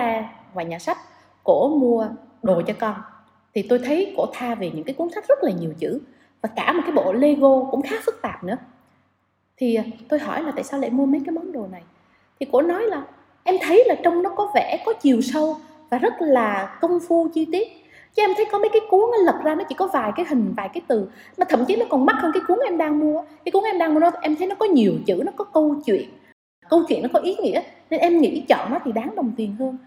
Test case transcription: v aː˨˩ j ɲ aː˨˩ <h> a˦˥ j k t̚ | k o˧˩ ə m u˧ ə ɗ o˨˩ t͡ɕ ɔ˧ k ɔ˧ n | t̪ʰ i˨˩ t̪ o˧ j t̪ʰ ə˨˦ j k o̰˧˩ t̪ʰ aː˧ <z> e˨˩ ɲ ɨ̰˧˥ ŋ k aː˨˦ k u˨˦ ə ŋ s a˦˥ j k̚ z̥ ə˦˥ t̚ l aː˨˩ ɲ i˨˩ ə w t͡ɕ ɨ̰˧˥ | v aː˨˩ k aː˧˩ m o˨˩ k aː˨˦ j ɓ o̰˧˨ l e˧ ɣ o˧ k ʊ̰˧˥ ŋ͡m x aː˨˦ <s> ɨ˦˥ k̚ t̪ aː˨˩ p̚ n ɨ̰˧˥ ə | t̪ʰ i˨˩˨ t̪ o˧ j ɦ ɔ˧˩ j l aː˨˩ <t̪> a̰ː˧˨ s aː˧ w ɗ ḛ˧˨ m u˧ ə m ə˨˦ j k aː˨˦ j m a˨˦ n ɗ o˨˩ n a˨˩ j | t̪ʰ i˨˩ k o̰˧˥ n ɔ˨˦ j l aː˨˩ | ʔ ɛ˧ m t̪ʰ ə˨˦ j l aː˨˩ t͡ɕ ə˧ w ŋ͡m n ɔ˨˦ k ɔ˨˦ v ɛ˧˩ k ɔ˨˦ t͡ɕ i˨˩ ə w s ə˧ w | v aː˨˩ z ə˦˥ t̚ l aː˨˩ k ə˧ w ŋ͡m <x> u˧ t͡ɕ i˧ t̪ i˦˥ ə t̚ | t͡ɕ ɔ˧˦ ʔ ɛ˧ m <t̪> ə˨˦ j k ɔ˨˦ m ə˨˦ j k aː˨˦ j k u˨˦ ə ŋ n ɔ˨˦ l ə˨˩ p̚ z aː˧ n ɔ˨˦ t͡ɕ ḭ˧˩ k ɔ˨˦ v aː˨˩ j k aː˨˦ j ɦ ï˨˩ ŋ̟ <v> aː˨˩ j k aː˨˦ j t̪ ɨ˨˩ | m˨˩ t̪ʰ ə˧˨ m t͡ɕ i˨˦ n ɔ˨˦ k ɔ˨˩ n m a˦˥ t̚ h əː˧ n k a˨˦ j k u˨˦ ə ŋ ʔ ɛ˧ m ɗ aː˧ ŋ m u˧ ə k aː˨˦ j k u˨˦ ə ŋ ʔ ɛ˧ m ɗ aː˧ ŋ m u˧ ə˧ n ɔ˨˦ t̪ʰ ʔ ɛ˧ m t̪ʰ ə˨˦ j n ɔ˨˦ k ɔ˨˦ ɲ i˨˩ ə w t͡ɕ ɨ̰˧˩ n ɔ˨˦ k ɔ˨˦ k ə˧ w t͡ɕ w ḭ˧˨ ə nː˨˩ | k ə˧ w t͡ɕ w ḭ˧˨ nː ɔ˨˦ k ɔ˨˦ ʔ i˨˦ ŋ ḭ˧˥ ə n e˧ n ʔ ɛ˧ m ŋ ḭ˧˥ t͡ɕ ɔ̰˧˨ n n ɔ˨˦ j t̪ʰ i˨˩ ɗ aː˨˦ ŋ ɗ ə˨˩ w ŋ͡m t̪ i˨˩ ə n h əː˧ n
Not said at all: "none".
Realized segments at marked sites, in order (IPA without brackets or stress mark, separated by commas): s, v, f, t̪, f, t̪ʰ, v